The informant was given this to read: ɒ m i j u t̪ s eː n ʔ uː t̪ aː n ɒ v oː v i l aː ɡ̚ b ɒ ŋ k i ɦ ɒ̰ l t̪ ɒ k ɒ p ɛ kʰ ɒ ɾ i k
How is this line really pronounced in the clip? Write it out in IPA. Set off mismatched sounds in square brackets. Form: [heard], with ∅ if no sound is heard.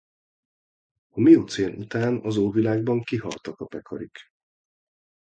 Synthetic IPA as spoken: ɒ m i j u t̪ s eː n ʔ [u] t̪ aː n ɒ [z] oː v i l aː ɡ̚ b ɒ ŋ k i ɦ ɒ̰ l t̪ ɒ k ɒ p ɛ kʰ ɒ ɾ i k